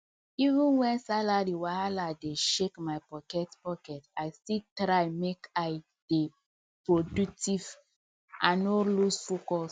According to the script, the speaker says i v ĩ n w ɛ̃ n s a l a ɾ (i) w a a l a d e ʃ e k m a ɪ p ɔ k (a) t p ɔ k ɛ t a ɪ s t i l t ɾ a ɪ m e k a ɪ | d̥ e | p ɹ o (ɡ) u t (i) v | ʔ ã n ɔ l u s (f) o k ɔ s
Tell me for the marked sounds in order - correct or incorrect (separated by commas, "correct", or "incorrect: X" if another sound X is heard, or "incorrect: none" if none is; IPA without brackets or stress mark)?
correct, incorrect: ɛ, incorrect: d, correct, correct